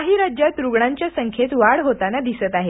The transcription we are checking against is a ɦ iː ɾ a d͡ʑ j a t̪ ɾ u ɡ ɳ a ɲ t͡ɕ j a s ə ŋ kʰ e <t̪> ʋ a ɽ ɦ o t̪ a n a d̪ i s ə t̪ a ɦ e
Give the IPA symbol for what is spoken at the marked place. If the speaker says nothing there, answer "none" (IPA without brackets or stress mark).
t̪